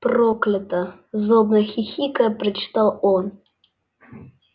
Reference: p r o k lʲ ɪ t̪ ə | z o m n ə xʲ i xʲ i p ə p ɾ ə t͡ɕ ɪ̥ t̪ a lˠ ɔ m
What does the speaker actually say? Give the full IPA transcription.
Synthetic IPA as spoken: p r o k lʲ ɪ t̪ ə | z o b n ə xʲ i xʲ i k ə p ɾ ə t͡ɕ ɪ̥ t̪ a lˠ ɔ n